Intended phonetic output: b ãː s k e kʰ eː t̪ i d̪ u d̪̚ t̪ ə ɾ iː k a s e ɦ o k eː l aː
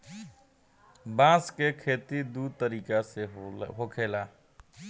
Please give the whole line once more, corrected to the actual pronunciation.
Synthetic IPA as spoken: b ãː s k e kʰ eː t̪ i d̪ u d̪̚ t̪ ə ɾ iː k a s e ɦ o kʰ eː l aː